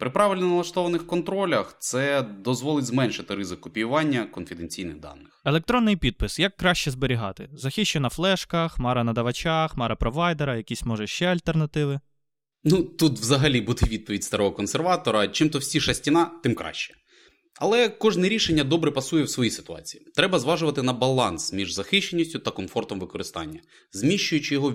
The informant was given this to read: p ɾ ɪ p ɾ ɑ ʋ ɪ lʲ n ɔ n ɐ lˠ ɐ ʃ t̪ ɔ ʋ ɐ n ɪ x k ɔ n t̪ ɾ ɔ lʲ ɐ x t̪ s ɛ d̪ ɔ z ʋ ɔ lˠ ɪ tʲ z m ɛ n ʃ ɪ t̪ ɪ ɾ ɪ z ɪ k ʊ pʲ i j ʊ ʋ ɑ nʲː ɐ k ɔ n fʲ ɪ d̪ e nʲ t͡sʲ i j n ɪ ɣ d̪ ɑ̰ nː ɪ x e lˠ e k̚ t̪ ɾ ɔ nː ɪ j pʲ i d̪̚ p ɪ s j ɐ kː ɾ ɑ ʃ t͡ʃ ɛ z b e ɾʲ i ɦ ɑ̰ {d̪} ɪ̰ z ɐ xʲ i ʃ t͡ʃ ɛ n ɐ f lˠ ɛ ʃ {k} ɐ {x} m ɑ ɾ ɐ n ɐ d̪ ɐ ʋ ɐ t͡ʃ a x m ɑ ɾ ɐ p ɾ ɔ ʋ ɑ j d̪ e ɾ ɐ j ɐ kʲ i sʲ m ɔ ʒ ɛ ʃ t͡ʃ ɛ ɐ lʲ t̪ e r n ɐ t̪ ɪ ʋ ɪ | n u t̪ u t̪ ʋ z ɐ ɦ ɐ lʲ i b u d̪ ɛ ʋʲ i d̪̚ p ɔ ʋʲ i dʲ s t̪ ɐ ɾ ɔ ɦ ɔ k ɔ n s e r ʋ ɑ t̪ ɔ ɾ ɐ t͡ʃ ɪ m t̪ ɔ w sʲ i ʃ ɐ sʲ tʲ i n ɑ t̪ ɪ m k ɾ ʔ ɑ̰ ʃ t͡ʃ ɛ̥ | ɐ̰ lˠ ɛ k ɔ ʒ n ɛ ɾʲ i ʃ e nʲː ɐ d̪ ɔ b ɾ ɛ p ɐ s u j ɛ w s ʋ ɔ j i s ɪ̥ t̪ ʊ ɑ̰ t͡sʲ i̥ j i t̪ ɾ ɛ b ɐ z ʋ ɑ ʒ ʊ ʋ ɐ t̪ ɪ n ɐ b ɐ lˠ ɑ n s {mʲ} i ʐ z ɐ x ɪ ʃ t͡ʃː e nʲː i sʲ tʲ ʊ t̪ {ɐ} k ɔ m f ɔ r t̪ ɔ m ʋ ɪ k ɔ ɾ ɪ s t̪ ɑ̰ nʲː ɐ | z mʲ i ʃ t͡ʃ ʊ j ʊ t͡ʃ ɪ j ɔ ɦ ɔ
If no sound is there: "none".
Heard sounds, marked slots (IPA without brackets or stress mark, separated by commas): t̪, k, x, mʲ, ɐ